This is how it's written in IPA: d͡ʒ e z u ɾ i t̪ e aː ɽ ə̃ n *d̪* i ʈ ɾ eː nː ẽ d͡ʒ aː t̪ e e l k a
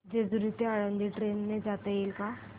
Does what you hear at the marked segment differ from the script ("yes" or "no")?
no